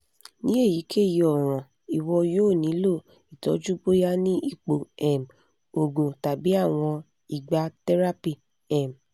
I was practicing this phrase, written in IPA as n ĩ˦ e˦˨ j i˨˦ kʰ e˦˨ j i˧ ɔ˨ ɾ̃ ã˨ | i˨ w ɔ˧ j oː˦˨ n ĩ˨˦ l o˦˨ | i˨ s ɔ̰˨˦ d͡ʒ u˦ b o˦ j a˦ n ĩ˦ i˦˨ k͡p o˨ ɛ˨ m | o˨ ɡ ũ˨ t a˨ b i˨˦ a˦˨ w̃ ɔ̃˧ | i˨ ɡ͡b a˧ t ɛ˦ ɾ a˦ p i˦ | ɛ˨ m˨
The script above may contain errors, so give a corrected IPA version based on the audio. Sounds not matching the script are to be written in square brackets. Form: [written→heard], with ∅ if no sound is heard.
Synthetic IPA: n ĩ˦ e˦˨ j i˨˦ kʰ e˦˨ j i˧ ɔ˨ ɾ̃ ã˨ | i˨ w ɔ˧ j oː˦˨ n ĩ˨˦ l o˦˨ | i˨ [s→t] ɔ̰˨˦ d͡ʒ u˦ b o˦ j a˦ n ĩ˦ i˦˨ k͡p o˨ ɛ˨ m | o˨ ɡ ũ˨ t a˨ b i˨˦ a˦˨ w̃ ɔ̃˧ | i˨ ɡ͡b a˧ t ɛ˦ ɾ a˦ p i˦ | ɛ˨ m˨